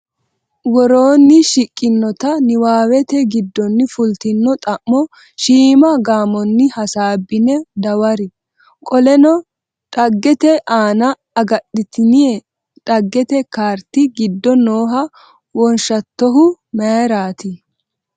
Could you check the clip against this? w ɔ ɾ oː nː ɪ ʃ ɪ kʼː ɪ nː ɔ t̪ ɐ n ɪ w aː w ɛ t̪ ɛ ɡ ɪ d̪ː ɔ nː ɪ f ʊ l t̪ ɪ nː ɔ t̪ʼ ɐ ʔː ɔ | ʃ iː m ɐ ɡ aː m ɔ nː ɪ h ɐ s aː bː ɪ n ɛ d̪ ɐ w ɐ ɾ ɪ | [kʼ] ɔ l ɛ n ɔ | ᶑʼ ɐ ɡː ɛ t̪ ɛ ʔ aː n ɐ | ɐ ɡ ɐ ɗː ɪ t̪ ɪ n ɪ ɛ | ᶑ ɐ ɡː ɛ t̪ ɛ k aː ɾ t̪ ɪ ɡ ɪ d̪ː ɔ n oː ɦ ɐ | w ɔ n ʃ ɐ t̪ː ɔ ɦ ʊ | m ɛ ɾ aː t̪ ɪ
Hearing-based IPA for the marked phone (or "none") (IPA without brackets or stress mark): kʼ